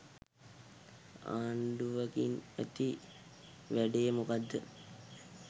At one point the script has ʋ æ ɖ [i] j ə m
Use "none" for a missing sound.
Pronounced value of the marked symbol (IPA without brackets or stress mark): e